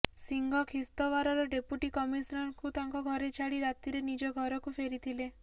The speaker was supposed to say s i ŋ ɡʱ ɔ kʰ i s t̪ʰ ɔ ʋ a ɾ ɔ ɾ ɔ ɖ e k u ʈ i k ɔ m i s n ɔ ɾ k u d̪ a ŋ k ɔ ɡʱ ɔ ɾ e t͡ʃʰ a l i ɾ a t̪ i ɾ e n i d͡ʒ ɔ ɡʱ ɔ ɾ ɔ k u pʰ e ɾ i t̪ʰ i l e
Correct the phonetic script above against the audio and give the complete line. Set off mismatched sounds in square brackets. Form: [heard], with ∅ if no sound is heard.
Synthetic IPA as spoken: s i ŋ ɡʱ ɔ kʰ i s [t̪] ɔ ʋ a ɾ ɔ ɾ ɔ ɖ e [p] u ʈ i k ɔ m i s n ɔ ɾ k u [t̪] a ŋ k ɔ ɡʱ ɔ ɾ e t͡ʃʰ a [ɽ] i ɾ a t̪ i ɾ e n i d͡ʒ ɔ ɡʱ ɔ ɾ ɔ k u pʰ e ɾ i t̪ʰ i l e